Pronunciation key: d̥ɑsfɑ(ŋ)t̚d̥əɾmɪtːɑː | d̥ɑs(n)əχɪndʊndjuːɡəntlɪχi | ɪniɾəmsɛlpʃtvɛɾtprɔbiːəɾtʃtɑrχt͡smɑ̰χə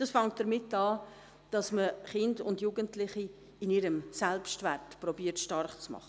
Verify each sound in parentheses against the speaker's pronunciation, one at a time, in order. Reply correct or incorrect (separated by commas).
correct, incorrect